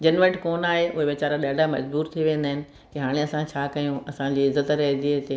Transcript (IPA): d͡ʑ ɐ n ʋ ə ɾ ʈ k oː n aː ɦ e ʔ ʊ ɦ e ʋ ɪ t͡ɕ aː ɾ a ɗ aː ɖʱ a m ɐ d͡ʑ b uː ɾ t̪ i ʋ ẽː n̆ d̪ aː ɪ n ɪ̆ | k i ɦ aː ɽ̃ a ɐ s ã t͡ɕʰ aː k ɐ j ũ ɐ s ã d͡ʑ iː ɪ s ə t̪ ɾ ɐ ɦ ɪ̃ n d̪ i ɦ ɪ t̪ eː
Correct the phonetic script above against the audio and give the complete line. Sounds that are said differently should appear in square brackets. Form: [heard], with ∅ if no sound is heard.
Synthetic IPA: d͡ʑ ɐ n ʋ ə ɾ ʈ k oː n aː ɦ e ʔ ʊ ɦ e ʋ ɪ t͡ɕ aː ɾ a ɗ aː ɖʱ a m ɐ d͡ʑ b uː ɾ [t̪ʰ] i ʋ ẽː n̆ d̪ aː ɪ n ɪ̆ | k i ɦ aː ɽ̃ [e] ɐ s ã t͡ɕʰ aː k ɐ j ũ ɐ s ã d͡ʑ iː ɪ [z] ə t̪ ɾ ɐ ɦ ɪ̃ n d̪ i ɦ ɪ t̪ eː